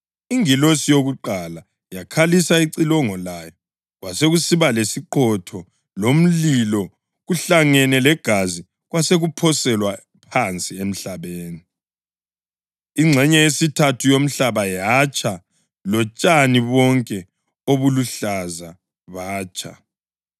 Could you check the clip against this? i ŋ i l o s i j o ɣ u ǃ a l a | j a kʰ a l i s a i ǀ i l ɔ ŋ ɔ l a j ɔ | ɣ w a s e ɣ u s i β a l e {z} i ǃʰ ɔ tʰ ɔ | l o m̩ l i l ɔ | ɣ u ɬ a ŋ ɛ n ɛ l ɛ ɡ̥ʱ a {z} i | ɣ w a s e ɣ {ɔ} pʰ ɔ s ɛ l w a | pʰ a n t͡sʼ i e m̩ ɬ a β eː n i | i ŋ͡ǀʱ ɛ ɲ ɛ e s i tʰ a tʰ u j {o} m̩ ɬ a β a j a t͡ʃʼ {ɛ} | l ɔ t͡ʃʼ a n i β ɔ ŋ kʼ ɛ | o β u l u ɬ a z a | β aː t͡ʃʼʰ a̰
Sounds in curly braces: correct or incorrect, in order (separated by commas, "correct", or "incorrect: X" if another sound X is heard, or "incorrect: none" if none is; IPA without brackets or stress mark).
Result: incorrect: s, correct, incorrect: u, correct, incorrect: a